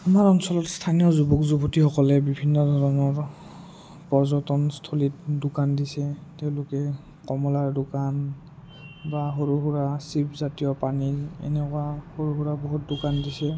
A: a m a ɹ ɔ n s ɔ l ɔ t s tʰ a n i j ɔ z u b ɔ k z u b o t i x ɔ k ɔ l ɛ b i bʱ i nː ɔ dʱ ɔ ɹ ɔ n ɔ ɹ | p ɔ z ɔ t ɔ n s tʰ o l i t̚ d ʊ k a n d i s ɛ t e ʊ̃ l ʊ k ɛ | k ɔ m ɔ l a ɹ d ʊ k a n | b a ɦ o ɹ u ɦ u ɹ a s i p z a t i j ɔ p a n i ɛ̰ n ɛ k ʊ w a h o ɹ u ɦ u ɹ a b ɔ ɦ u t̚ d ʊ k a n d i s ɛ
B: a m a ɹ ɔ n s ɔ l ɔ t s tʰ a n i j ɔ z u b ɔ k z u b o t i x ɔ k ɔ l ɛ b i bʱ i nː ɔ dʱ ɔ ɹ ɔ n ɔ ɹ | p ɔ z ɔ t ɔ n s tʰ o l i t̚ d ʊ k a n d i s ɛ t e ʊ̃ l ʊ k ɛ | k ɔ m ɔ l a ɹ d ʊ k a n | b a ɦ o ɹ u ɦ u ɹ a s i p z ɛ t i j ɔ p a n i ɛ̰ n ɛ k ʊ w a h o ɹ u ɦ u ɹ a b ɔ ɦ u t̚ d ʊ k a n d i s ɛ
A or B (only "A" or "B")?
A